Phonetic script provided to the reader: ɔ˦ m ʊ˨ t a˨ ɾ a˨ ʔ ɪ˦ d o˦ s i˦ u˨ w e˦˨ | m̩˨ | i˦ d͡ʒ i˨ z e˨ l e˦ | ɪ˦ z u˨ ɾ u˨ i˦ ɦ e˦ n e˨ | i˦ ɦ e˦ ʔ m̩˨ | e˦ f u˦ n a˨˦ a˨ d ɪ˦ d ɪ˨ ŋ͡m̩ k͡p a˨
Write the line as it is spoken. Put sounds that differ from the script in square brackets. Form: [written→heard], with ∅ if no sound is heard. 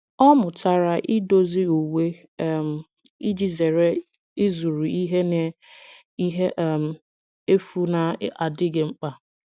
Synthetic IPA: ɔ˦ m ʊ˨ t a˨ ɾ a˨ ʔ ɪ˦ d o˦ [s→z] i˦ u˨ w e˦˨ | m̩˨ | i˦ d͡ʒ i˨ z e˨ [l→ɾ] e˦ | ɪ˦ z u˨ ɾ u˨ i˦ ɦ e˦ n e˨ | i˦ ɦ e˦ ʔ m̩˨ | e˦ f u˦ n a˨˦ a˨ d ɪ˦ [d→ɡ] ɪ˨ ŋ͡m̩ k͡p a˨